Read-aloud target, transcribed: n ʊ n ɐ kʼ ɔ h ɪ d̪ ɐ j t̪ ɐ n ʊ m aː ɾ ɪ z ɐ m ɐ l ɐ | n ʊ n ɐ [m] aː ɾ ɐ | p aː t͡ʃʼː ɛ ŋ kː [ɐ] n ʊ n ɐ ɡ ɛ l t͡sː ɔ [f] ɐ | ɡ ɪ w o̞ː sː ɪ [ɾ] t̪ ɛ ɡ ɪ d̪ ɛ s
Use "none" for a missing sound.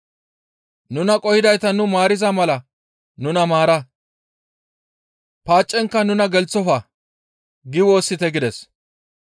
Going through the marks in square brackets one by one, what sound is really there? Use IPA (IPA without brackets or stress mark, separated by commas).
m, ɐ, f, none